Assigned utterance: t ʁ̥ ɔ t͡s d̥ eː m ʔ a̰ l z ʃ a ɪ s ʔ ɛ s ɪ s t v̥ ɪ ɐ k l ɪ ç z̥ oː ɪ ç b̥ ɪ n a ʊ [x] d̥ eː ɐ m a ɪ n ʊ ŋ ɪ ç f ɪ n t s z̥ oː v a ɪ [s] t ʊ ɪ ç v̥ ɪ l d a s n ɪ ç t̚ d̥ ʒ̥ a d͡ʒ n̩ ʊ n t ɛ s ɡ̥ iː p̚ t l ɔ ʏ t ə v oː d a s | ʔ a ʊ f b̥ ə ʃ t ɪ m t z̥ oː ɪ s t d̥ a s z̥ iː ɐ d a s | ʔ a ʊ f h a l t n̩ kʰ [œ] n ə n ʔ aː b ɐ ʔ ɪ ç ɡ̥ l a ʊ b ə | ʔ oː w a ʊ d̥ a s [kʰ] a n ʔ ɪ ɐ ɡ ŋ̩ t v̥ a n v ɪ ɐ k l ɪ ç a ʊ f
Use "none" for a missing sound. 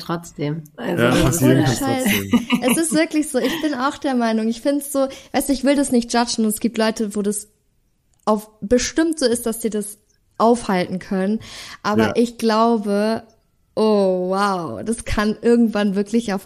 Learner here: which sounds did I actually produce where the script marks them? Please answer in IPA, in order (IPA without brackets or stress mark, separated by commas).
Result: x, s, œ, kʰ